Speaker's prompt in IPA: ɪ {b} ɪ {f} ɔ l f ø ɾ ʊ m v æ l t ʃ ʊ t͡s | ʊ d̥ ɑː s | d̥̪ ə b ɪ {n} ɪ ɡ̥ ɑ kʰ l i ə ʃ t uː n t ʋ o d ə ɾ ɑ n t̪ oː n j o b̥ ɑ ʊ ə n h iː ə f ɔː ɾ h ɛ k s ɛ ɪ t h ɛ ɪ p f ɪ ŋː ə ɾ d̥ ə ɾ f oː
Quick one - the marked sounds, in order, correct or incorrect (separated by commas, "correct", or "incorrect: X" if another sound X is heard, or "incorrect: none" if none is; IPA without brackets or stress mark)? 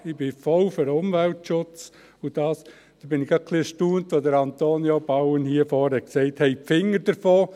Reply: correct, correct, correct